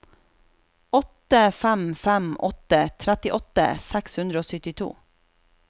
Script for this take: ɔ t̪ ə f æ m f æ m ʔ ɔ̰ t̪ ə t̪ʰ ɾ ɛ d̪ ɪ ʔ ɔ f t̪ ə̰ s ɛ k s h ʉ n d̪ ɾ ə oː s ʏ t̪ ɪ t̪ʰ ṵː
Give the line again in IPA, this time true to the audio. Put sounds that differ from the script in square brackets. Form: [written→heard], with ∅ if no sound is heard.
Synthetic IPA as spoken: ɔ t̪ ə f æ m f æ m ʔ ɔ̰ t̪ ə t̪ʰ ɾ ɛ [d̪→t̪] ɪ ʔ ɔ [f→∅] t̪ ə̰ s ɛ k s h ʉ n d̪ ɾ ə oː s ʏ t̪ ɪ t̪ʰ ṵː